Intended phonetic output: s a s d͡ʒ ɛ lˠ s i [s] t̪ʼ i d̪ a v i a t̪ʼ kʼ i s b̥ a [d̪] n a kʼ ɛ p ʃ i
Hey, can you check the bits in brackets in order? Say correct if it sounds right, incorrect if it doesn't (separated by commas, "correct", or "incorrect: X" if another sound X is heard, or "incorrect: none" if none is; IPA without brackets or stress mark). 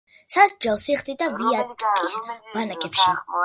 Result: incorrect: χ, incorrect: none